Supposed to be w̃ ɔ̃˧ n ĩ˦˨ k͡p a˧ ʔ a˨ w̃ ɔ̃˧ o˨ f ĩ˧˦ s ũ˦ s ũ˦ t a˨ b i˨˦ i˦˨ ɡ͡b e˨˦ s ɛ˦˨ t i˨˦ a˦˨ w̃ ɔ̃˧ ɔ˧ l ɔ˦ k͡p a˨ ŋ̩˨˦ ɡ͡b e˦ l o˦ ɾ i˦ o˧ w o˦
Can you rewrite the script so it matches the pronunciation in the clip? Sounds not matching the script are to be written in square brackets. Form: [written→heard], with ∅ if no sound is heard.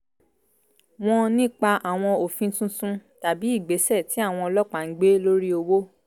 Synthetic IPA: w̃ ɔ̃˧ n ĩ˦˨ k͡p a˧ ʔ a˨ w̃ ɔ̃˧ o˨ f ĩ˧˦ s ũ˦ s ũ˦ t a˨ b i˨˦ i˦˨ ɡ͡b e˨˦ s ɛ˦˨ t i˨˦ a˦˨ w̃ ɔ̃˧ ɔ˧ l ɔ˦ k͡p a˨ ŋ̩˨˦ ɡ͡b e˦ l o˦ ɾ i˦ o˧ w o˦